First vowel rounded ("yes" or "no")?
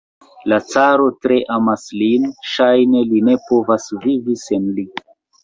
no